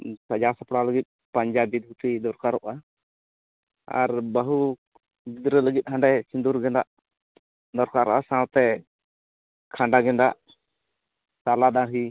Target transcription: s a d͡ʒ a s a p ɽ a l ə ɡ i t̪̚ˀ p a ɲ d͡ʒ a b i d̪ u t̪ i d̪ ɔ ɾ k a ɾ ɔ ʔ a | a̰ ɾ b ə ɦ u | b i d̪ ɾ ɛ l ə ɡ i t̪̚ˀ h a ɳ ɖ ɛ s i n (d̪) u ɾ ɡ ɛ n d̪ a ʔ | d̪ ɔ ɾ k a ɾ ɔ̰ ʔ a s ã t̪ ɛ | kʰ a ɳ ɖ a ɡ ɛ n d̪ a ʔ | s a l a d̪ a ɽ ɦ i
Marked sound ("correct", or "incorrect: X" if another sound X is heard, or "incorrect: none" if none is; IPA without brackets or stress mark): correct